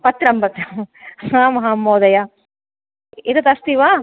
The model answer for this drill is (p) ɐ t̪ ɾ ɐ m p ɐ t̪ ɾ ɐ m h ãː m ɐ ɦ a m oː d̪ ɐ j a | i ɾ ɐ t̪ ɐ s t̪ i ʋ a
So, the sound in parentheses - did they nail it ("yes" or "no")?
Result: yes